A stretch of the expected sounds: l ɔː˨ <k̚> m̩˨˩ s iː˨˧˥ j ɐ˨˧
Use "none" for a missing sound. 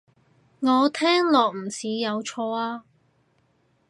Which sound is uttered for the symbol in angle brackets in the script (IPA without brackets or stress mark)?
k̚